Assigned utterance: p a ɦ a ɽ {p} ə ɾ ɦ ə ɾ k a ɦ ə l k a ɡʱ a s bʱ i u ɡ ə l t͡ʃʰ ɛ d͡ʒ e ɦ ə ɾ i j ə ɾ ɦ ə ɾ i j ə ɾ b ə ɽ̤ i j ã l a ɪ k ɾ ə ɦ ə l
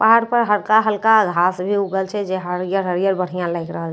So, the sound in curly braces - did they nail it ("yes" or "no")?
yes